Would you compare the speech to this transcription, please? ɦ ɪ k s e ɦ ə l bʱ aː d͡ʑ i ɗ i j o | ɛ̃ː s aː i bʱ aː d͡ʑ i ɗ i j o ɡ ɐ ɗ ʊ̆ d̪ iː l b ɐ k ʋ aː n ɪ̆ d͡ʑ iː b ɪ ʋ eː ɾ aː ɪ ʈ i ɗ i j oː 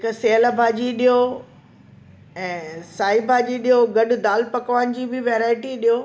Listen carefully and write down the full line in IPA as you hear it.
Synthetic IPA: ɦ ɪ k s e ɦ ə l bʱ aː d͡ʑ i ɗ i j o | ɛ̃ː s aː i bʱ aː d͡ʑ i ɗ i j o ɡ ɐ ɗ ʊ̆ d̪ aː l p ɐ k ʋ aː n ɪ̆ d͡ʑ iː b ɪ ʋ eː ɾ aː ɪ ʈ i ɗ i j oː